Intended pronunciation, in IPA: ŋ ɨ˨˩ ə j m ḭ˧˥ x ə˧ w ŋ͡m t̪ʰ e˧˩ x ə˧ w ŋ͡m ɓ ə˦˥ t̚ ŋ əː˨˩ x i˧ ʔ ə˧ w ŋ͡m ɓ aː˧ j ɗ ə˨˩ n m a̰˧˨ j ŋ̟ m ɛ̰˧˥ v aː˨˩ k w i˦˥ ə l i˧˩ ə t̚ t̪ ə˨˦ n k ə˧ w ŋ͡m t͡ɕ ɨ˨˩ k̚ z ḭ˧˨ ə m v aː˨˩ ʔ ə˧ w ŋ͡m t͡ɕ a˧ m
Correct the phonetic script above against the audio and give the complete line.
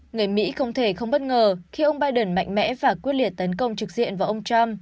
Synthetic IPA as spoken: ŋ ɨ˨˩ ə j m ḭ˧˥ x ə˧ w ŋ͡m t̪ʰ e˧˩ x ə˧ w ŋ͡m ɓ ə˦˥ t̚ ŋ əː˨˩ x i˧ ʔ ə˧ w ŋ͡m ɓ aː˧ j ɗ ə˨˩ n m a̰˧˨ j ŋ̟ m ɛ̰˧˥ v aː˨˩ k w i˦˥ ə l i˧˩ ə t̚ t̪ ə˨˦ n k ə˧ w ŋ͡m t͡ɕ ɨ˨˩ k̚ z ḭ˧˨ ə n v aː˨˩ ʔ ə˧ w ŋ͡m t͡ɕ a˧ m

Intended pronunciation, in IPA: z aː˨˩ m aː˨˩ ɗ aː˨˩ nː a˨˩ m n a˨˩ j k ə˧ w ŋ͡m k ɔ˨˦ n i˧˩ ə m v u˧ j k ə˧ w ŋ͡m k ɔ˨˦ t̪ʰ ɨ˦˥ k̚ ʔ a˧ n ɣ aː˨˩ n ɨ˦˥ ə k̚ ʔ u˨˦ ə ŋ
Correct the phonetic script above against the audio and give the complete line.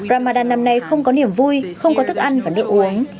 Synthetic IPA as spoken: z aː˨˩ m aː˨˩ ɗ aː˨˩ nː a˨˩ m n a˨˩ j x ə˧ w ŋ͡m k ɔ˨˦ n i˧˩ ə m v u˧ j x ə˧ w ŋ͡m k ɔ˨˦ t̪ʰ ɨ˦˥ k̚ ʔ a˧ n v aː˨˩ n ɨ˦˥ ə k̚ ʔ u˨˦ ə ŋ

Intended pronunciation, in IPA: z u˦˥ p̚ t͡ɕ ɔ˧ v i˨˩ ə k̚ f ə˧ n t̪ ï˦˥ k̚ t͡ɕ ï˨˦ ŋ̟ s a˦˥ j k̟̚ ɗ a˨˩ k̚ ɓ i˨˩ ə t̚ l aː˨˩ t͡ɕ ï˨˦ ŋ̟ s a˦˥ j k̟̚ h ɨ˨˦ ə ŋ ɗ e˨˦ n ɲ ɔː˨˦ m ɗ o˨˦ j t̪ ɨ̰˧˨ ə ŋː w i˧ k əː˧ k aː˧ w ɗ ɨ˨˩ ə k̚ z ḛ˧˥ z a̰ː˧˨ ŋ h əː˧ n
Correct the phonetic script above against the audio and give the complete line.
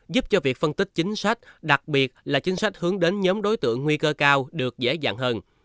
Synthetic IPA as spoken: z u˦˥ p̚ t͡ɕ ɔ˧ v i˨˩ ə k̚ f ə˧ n t̪ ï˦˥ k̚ t͡ɕ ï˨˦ ŋ̟ s a˦˥ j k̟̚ ɗ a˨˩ k̚ ɓ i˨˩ ə t̚ l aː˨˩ t͡ɕ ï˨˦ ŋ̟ s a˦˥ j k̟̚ h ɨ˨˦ ə ŋ ɗ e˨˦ n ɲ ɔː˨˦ m ɗ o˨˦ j t̪ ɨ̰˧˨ ə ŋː w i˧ k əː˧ k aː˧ w ɗ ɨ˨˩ ə k̚ z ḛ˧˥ z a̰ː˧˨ ŋ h əː˧ n

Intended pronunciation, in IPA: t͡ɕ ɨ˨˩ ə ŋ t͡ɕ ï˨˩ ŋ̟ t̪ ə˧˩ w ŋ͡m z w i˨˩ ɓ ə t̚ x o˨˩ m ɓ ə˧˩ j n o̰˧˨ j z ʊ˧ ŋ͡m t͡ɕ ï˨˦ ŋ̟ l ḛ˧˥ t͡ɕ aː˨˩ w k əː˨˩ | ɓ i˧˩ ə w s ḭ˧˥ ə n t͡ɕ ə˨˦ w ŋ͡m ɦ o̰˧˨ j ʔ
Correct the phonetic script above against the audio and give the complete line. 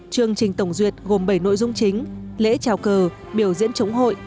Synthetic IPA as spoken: t͡ɕ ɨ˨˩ ə ŋ t͡ɕ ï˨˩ ŋ̟ t̪ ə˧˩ w ŋ͡m z w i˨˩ ə t̚ ɣ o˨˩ m ɓ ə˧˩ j n o̰˧˨ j z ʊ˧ ŋ͡m t͡ɕ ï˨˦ ŋ̟ l ḛ˧˥ t͡ɕ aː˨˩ w k əː˨˩ | ɓ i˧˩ ə w z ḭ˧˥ ə n t͡ɕ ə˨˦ w ŋ͡m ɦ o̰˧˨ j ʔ

